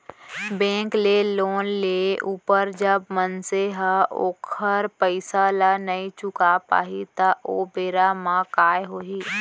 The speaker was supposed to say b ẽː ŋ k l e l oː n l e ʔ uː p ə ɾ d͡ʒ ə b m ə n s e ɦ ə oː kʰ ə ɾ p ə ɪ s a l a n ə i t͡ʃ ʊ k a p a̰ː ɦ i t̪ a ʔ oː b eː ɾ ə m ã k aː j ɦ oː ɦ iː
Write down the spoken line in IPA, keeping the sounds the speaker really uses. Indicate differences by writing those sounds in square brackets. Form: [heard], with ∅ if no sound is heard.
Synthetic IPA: b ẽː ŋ k l e l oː n l e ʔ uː p ə ɾ d͡ʒ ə b m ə n s e ɦ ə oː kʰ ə ɾ p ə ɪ s a l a n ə i t͡ʃ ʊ k a p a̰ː ɦ i t̪ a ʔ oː b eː ɾ [a] m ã k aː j ɦ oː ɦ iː